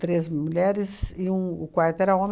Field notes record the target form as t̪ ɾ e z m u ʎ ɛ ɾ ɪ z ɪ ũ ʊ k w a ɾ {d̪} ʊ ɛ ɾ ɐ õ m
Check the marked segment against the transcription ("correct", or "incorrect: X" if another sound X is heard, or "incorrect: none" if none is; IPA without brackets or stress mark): incorrect: t̪